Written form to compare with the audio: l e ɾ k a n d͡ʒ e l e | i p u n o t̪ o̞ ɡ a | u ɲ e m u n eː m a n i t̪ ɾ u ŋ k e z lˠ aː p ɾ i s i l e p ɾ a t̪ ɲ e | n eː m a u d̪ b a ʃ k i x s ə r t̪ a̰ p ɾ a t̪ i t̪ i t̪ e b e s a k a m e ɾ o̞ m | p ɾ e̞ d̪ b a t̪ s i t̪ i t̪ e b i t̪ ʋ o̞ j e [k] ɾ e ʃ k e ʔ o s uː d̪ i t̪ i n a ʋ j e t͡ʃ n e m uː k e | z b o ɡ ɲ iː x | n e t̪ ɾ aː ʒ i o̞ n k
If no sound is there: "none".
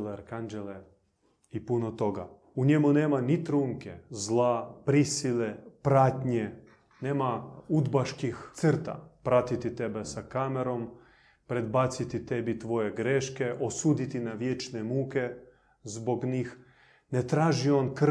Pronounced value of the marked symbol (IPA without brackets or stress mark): ɡ